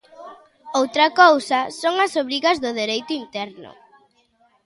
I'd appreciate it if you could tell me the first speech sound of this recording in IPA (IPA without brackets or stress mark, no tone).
o